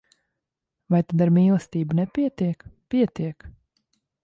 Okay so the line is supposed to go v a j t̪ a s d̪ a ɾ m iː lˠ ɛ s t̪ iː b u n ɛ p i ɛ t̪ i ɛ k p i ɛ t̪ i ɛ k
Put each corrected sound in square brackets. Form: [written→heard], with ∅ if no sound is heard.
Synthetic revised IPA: v a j t̪ a [s→∅] d̪ a ɾ m iː lˠ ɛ s t̪ iː b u n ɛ p i ɛ t̪ i ɛ k p i ɛ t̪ i ɛ k